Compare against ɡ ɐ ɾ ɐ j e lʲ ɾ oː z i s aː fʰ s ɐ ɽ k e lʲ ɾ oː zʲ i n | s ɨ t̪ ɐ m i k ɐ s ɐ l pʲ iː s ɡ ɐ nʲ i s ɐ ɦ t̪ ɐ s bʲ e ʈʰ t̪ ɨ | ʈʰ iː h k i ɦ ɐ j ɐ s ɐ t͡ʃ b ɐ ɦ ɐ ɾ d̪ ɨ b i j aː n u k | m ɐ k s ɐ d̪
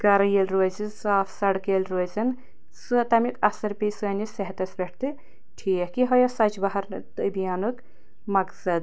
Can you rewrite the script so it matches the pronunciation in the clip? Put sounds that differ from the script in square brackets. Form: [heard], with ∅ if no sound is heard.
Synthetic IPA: ɡ ɐ ɾ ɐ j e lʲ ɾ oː z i s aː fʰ s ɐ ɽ k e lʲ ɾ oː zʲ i n | s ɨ t̪ ɐ m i k ɐ s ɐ [ɾ] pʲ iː s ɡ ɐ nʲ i s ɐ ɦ t̪ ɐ s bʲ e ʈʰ t̪ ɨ | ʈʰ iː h k i ɦ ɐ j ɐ s ɐ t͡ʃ b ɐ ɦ ɐ ɾ [t̪] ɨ b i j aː n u k | m ɐ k s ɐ d̪